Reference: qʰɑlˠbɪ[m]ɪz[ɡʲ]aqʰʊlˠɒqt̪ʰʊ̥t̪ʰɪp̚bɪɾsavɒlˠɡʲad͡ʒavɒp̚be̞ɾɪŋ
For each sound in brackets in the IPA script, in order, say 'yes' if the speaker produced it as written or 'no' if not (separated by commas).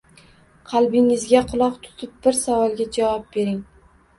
no, yes